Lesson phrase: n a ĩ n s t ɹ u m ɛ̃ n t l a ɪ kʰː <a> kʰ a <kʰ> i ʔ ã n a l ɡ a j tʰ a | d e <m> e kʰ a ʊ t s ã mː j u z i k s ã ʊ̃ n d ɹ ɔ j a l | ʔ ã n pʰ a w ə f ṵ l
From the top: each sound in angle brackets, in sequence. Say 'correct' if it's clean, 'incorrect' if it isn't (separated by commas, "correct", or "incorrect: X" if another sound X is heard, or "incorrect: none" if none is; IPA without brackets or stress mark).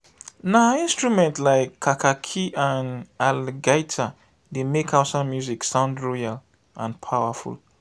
correct, correct, correct